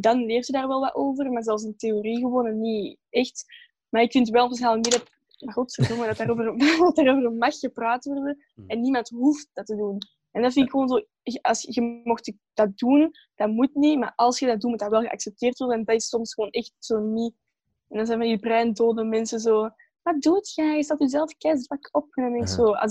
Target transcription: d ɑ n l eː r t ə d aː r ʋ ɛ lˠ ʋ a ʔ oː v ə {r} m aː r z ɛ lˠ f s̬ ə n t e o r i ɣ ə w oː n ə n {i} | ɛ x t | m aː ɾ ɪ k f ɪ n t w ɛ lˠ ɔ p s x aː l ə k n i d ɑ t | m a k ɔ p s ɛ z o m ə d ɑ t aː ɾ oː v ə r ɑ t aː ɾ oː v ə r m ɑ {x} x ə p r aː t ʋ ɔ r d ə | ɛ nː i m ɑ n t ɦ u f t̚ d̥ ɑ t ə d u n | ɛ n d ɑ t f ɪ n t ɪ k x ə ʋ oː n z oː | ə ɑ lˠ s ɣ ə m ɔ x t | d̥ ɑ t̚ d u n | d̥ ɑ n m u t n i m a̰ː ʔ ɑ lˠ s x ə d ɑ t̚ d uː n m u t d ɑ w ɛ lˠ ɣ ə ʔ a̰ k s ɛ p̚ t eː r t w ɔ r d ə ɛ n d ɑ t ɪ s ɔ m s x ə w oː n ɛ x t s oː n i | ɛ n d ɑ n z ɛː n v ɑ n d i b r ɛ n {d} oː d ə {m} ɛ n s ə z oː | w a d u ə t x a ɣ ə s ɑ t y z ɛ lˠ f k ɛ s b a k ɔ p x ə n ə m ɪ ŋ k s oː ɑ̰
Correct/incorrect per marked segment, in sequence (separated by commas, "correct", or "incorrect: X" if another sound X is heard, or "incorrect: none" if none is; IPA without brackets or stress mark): correct, correct, correct, correct, correct